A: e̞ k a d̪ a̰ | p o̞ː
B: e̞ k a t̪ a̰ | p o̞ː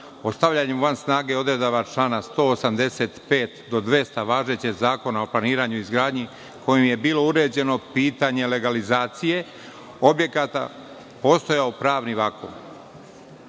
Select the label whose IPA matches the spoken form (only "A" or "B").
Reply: B